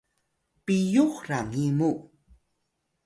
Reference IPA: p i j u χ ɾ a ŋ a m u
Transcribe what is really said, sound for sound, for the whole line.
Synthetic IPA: p i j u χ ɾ a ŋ i m u